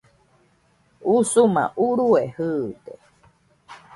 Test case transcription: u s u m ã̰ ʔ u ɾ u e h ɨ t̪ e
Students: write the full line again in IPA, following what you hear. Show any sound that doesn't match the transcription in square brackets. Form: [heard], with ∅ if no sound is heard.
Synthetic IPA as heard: u s u m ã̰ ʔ u ɾ u e h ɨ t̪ e